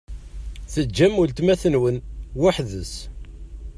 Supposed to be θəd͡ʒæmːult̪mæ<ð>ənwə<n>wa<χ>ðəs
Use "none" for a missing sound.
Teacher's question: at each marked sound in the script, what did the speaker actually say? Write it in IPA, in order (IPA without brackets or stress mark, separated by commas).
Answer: θ, n, ħ